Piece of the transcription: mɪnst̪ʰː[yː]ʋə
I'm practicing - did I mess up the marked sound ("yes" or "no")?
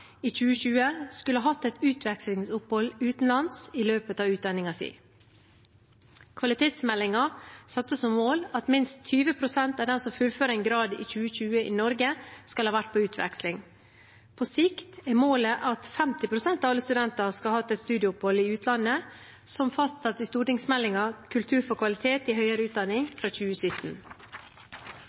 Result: no